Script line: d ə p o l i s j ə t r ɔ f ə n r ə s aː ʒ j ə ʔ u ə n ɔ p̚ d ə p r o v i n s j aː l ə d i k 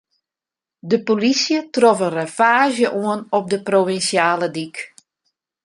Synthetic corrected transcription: d ə p o l i s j ə t r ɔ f ə n r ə f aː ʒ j ə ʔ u ə n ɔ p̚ d ə p r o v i n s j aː l ə d i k